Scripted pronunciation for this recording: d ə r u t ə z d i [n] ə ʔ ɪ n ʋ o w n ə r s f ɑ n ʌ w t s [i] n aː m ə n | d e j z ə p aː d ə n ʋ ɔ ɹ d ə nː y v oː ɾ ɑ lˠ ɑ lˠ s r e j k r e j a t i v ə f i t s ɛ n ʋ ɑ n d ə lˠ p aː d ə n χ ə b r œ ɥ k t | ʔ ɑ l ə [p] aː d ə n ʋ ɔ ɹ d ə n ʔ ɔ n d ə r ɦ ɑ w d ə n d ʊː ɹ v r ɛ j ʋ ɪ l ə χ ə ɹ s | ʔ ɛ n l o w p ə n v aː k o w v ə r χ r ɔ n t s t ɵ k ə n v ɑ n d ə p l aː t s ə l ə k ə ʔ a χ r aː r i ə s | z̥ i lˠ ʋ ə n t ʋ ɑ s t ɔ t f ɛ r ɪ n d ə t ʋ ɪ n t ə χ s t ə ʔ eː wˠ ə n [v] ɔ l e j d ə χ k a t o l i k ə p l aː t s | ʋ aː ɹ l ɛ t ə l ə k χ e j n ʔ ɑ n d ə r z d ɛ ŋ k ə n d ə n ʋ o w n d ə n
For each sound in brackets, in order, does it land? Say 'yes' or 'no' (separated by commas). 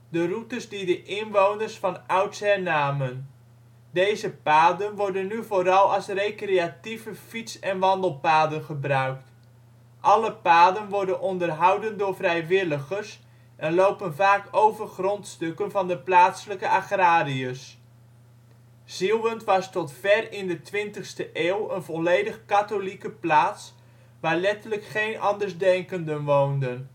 no, no, yes, yes